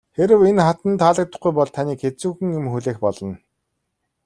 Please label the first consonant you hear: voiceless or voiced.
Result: voiceless